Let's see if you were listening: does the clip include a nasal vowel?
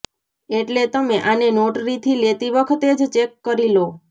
no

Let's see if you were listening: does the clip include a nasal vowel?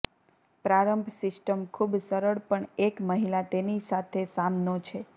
no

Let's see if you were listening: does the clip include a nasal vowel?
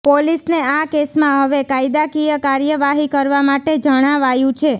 yes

